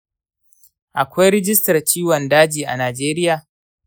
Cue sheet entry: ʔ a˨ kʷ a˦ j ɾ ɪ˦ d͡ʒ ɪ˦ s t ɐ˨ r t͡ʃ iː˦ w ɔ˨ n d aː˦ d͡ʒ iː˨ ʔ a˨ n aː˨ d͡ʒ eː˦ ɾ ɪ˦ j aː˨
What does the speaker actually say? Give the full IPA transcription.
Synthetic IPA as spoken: ʔ a˨ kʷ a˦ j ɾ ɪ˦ d͡ʒ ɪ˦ s t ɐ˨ r t͡ʃ iː˦ w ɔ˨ n d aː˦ d͡ʒ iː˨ ʔ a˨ n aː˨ d͡ʒ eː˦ ɾ ɪ˦ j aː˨